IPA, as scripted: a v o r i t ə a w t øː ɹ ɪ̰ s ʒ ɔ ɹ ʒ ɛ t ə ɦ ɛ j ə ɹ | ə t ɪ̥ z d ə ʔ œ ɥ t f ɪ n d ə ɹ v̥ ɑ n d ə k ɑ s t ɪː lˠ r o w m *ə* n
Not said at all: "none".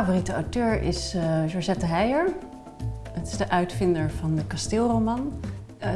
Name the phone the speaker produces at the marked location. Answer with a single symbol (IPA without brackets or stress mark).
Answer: ɑ